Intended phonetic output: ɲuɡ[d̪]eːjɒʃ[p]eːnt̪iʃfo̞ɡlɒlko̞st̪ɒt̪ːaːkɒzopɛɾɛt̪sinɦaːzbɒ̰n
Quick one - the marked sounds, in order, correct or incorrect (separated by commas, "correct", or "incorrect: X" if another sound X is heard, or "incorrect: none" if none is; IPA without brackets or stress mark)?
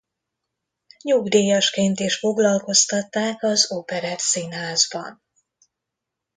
correct, incorrect: k